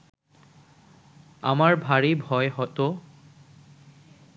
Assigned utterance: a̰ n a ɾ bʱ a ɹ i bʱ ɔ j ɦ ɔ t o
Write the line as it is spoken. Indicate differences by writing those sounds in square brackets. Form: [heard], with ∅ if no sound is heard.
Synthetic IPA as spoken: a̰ [m] a [ɹ] bʱ a ɹ i bʱ ɔ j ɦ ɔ t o